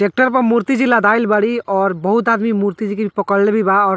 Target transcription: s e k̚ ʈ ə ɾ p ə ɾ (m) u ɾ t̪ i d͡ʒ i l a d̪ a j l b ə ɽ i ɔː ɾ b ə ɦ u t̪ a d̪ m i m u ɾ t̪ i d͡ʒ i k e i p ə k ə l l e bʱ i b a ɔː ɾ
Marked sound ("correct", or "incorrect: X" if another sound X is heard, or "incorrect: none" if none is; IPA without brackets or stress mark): correct